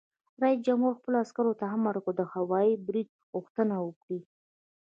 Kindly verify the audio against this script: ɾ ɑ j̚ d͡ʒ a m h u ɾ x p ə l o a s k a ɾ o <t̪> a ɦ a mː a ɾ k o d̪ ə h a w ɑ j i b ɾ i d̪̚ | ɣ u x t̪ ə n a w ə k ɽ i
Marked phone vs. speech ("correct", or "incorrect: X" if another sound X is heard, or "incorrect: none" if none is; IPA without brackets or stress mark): correct